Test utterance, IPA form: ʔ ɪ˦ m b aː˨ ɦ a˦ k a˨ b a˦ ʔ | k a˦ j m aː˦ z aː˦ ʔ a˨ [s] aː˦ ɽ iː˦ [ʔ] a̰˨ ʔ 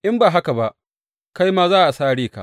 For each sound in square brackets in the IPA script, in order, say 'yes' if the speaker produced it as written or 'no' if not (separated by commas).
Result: yes, no